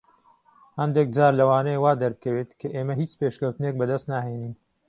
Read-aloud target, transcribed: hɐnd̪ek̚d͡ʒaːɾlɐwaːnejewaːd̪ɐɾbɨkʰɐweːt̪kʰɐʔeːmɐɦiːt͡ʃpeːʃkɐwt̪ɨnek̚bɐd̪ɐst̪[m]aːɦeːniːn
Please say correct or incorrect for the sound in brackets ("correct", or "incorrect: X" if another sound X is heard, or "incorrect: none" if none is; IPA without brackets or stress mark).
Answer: incorrect: n